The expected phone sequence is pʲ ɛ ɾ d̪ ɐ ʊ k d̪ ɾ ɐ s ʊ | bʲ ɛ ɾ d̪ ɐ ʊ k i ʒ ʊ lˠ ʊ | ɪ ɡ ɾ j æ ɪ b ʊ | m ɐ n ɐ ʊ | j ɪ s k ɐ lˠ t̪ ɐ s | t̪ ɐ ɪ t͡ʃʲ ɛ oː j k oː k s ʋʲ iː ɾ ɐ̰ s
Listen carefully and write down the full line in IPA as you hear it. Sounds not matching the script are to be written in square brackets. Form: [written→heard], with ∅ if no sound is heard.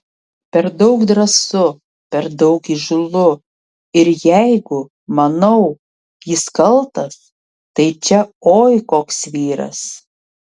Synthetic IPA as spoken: pʲ ɛ ɾ d̪ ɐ ʊ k d̪ ɾ ɐ s ʊ | [bʲ→pʲ] ɛ ɾ d̪ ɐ ʊ k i ʒ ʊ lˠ ʊ | ɪ [ɡ→∅] ɾ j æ ɪ [b→ɡ] ʊ | m ɐ n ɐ ʊ | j ɪ s k ɐ lˠ t̪ ɐ s | t̪ ɐ ɪ t͡ʃʲ ɛ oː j k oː k s ʋʲ iː ɾ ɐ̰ s